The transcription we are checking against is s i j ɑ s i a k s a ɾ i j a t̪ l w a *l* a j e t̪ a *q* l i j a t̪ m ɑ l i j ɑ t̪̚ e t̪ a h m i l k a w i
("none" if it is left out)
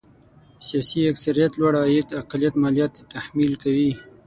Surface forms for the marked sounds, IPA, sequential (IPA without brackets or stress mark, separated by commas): ɽ, q